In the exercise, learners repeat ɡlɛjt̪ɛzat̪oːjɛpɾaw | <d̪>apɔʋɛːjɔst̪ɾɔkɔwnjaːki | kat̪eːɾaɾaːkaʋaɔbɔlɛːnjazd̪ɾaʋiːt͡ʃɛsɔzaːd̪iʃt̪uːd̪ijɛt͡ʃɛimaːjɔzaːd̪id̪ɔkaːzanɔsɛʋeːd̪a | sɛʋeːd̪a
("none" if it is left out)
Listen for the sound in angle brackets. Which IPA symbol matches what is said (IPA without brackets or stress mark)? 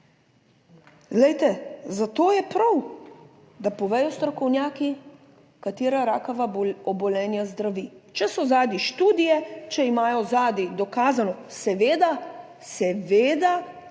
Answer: d̪